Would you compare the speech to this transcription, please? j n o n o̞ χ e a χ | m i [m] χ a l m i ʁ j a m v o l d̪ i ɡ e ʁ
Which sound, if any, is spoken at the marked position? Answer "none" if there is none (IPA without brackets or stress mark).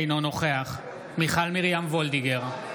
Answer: none